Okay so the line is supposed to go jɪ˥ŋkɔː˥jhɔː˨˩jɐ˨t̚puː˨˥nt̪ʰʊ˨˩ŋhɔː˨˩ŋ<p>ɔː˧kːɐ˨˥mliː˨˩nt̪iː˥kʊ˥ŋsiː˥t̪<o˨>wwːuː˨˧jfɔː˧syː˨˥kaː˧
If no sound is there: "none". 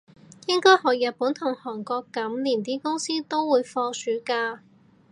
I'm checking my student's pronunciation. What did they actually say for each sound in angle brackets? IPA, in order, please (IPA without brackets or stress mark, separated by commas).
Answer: k, o˥